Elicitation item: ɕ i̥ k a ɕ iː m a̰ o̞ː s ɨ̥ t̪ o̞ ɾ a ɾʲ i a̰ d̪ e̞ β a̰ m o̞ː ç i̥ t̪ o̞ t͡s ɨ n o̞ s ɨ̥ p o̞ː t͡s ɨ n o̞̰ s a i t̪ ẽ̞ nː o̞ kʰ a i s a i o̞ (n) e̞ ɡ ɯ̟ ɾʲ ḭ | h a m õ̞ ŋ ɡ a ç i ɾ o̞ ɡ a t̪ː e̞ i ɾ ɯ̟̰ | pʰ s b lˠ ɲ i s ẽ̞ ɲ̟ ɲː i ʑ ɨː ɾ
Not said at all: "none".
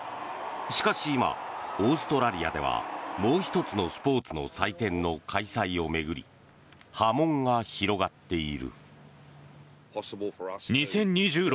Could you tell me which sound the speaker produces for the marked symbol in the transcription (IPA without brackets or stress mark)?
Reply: m